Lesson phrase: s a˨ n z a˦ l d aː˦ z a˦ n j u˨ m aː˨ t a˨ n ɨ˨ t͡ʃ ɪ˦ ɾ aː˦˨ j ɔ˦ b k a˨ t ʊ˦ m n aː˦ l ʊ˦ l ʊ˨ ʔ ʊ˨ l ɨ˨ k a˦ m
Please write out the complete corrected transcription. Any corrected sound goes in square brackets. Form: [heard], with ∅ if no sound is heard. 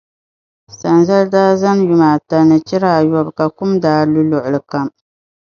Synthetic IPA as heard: s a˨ n z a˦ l d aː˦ z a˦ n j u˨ m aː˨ t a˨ n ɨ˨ t͡ʃ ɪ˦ ɾ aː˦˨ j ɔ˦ b k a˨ [k] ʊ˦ m [d] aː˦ l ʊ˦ l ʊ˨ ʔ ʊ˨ l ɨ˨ k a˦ m